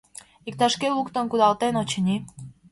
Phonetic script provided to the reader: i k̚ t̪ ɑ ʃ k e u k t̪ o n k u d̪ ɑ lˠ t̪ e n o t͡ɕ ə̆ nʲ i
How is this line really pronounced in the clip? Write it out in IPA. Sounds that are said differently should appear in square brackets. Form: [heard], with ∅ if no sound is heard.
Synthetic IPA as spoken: i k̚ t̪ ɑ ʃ k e u k t̪ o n k u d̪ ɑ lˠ t̪ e n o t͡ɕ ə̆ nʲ i